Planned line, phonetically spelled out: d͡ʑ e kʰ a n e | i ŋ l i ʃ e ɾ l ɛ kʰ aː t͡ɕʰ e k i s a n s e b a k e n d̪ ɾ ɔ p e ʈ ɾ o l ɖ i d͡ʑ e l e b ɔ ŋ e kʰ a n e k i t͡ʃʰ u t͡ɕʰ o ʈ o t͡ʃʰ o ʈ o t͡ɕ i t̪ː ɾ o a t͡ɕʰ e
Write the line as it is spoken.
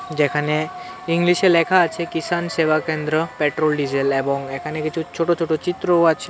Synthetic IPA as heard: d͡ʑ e kʰ a n e | i ŋ l i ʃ e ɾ l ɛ kʰ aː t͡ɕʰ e k i s a n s e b a k e n d̪ ɾ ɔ p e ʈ ɾ o l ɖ i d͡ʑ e l e b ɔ ŋ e kʰ a n e k i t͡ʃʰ u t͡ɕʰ o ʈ o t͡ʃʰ o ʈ o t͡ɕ i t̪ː ɾ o a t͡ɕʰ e